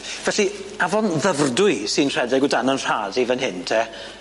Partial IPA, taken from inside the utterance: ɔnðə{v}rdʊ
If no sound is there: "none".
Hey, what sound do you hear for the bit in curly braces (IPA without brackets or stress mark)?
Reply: v